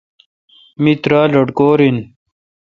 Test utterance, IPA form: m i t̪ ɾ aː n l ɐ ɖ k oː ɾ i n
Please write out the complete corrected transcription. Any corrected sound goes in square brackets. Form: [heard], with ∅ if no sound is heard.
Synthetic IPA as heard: m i t̪ ɾ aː [∅] l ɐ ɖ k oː ɾ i n